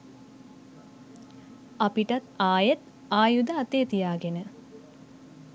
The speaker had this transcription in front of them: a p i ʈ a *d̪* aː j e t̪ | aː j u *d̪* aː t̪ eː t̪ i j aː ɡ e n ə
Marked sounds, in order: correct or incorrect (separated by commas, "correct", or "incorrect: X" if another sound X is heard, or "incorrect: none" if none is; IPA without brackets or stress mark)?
incorrect: t̪, correct